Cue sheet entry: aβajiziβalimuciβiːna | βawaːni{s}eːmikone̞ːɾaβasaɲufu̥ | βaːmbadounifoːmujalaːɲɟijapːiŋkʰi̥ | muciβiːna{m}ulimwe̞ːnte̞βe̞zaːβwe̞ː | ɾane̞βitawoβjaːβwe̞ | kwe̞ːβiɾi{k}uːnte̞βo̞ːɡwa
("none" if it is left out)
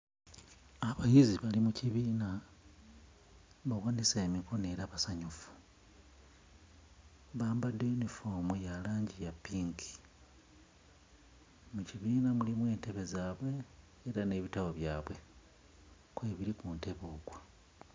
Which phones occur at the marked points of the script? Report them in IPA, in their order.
s, m, k

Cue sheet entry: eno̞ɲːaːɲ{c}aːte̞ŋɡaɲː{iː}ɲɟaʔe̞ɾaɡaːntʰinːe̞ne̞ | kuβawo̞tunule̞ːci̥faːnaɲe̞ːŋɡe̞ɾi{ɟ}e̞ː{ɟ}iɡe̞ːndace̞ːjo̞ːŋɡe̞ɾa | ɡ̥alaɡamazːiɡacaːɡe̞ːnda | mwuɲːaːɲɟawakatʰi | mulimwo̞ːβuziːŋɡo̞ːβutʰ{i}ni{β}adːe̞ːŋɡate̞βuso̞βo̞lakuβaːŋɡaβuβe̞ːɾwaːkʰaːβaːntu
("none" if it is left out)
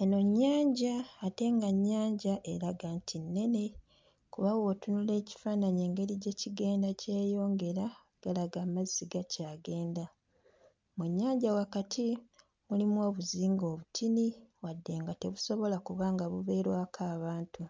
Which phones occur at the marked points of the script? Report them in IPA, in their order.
ɟ, aː, ɟ, c, i, w

